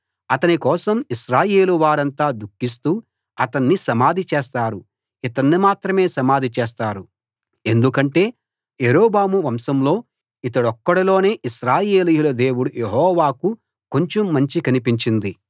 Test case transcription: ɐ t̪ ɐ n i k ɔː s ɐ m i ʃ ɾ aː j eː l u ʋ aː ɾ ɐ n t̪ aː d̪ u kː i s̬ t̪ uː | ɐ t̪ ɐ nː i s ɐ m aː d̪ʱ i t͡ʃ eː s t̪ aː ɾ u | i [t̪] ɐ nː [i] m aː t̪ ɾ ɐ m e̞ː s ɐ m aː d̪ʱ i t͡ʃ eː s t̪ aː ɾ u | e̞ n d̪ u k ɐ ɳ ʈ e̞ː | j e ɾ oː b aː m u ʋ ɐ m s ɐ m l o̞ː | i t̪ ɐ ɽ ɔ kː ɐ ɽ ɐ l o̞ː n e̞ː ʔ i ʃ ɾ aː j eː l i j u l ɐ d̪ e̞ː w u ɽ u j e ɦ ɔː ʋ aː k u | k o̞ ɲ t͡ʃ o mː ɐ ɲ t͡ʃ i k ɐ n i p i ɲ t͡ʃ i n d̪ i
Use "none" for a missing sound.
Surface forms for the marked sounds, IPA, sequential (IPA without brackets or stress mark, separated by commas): t̪, i